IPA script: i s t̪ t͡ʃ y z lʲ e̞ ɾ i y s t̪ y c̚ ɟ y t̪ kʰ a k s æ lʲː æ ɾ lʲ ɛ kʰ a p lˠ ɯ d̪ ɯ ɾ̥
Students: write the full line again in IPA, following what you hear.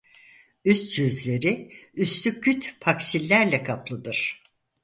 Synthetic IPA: y s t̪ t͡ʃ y z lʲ e̞ ɾ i y s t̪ y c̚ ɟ y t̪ pʰ a k s i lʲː æ ɾ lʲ ɛ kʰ a p lˠ ɯ d̪ ɯ ɾ̥